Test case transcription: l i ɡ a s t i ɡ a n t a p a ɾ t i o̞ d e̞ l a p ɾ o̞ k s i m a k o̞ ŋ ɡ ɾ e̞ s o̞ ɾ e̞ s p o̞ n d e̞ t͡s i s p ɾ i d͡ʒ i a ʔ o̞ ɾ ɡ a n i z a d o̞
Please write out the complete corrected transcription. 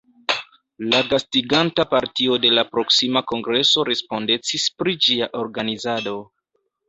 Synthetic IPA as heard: l a ɡ a s t i ɡ a n t a p a ɾ t i o̞ d e̞ l a p ɾ o̞ k s i m a k o̞ ŋ ɡ ɾ e̞ s o̞ ɾ e̞ s p o̞ n d e̞ t͡s i s p ɾ i d͡ʒ i a ʔ o̞ ɾ ɡ a n i z a d o̞